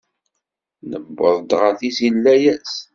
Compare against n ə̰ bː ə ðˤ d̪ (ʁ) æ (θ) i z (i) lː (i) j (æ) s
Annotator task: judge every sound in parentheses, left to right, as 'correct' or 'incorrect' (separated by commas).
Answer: correct, correct, correct, incorrect, correct